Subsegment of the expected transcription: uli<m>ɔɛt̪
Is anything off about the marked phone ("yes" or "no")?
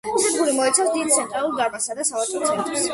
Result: no